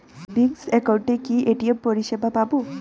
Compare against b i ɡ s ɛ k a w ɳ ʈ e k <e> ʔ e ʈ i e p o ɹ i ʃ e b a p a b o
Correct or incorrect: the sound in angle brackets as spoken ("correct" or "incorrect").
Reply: incorrect